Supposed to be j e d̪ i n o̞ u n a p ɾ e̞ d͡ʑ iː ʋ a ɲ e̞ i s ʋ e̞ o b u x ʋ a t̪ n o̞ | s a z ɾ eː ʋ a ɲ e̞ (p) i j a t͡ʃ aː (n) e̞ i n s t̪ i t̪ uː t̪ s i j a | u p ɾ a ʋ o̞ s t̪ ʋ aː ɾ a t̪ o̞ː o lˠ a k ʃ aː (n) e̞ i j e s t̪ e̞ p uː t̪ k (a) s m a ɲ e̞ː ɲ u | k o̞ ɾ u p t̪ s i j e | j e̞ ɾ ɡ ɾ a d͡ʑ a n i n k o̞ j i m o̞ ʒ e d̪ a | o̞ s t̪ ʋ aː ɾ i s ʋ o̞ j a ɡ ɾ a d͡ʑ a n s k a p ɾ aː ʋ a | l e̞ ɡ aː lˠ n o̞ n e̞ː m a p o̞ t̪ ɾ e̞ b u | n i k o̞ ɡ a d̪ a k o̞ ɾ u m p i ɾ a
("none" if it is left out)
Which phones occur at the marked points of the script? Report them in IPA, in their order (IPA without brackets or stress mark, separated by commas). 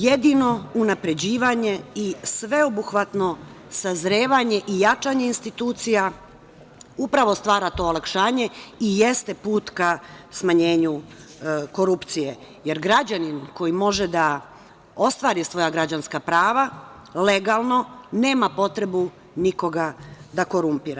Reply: ʔ, ɲ, ɲ, a